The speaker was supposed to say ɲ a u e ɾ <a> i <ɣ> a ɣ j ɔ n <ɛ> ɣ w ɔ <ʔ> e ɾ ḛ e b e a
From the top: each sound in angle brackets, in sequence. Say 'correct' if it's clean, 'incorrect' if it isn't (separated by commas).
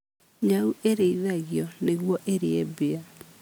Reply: incorrect, incorrect, incorrect, correct